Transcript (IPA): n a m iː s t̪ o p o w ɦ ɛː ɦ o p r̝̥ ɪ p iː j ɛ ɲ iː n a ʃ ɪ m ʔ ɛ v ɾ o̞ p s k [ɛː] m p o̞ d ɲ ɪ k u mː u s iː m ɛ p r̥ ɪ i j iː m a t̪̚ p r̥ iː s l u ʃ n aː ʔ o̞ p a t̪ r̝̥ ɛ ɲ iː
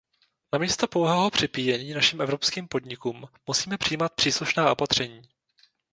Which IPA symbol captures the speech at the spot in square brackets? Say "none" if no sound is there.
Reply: iː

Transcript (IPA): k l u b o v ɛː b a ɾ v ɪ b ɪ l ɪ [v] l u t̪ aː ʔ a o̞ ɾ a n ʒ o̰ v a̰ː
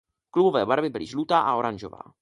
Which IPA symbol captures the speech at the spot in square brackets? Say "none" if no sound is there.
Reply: ʒ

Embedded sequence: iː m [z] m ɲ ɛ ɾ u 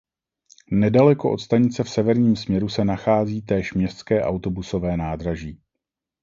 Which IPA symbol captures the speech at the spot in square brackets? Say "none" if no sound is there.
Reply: s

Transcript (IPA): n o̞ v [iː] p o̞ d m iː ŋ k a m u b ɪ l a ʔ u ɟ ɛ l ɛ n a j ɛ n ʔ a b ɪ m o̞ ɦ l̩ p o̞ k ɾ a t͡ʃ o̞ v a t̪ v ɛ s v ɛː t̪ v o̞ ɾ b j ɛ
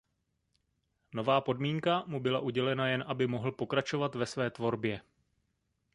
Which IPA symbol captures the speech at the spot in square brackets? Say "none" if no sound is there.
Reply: aː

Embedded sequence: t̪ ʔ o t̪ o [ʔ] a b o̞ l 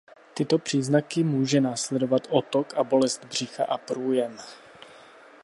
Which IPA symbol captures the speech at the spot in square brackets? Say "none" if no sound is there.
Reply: k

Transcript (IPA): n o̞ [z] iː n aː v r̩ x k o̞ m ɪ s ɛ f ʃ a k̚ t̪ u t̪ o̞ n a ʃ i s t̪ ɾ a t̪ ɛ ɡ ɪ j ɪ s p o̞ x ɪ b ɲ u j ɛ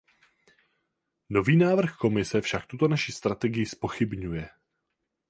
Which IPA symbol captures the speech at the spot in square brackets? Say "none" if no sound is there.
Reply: v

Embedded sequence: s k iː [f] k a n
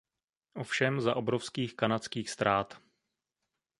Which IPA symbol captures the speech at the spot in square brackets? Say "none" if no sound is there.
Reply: x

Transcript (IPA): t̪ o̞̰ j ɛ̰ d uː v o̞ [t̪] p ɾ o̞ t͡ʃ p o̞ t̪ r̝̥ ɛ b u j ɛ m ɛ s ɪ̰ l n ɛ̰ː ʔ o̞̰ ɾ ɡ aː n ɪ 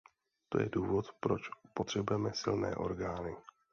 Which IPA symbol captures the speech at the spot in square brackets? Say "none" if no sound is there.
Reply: t̪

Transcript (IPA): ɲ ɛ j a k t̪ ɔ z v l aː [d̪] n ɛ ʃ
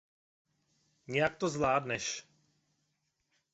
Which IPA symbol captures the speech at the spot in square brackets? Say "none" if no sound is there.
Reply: d̪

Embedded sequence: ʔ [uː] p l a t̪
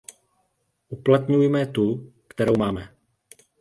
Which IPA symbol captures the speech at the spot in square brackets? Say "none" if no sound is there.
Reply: u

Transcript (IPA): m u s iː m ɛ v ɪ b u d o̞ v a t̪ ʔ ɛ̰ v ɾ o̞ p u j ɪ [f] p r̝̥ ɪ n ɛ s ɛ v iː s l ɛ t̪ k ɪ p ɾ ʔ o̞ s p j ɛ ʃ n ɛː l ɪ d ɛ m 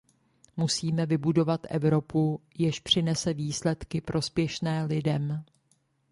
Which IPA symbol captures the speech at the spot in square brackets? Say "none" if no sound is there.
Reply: ʃ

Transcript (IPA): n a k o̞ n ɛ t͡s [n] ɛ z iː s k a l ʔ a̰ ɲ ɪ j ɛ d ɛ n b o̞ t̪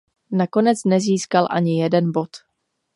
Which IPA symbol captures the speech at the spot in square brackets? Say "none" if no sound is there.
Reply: n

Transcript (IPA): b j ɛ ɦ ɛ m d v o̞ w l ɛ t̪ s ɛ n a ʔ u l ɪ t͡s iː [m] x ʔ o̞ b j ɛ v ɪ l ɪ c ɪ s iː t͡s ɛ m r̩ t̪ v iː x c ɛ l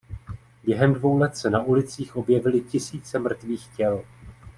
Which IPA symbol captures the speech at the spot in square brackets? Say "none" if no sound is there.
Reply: none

